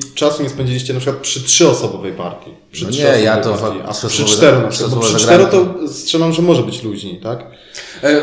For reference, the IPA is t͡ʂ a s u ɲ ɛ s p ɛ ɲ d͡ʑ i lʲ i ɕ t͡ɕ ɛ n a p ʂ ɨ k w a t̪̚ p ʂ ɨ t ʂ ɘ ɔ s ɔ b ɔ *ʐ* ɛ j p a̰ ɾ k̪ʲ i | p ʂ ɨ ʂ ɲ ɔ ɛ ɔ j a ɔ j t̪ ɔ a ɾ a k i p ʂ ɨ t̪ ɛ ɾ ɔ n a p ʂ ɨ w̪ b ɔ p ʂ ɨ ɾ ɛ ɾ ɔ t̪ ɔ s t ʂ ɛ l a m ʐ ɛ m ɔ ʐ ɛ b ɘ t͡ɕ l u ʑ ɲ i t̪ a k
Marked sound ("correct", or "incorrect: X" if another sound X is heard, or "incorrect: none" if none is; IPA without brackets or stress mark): incorrect: v